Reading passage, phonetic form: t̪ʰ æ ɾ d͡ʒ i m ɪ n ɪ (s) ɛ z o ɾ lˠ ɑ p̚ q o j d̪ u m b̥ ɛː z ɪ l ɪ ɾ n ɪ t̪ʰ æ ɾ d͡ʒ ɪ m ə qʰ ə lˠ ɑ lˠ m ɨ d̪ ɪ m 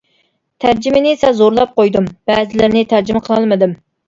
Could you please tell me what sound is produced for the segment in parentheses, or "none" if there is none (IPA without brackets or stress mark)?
s